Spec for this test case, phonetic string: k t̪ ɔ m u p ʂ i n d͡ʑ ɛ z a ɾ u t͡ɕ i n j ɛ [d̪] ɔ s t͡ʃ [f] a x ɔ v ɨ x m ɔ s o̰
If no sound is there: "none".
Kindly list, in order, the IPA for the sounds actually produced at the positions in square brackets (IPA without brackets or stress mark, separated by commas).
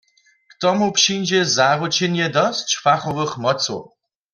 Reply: d̪, f